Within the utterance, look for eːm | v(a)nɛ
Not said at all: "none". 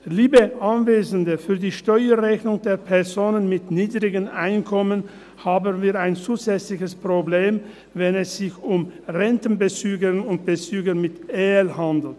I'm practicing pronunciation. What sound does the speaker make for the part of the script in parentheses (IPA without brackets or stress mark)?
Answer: ɛ